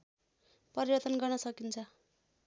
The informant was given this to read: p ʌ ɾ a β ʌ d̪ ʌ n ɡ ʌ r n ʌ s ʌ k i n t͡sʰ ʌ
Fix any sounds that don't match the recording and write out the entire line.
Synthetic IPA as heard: p ʌ ɾ i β ʌ t̪ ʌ n ɡ ʌ r n ʌ s ʌ k i n t͡sʰ ʌ